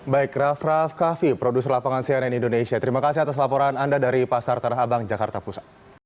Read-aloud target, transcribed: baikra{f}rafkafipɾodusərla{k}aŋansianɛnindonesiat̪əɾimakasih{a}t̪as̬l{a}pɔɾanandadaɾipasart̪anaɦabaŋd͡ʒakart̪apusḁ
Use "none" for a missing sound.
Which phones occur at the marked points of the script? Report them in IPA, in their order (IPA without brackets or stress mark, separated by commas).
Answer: f, p, a, a